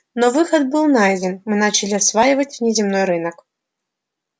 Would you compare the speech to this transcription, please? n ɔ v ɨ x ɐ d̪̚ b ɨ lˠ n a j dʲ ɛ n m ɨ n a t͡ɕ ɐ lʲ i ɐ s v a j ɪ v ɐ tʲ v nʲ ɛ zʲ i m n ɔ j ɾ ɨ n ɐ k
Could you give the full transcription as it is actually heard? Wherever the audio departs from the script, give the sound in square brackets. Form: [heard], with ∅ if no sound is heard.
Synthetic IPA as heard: n ɔ v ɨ x ɐ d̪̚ b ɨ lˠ n a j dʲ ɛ n m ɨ n a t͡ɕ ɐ lʲ i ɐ s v a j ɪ v ɐ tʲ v nʲ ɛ zʲ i m n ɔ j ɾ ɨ n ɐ k